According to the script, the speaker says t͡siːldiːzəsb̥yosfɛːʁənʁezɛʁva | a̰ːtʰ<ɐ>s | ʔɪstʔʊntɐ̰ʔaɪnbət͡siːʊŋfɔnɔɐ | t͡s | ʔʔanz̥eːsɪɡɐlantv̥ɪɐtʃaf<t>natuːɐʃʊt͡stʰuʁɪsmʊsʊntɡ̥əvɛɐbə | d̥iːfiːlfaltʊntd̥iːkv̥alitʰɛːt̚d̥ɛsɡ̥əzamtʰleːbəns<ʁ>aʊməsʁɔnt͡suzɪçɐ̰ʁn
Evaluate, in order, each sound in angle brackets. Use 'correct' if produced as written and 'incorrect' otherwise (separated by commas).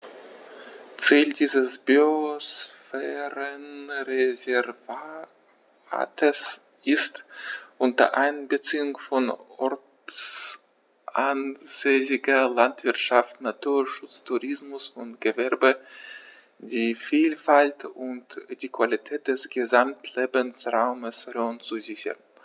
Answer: incorrect, correct, correct